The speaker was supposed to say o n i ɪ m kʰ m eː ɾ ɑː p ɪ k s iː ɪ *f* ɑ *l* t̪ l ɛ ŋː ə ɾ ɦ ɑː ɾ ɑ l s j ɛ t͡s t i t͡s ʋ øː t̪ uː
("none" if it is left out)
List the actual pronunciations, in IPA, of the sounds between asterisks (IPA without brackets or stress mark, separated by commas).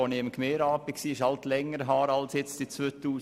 ʃ, l